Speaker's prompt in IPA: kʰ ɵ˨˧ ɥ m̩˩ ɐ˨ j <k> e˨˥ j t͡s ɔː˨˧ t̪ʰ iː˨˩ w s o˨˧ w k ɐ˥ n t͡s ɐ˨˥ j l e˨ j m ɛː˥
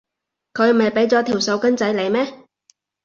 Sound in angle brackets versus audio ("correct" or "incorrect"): incorrect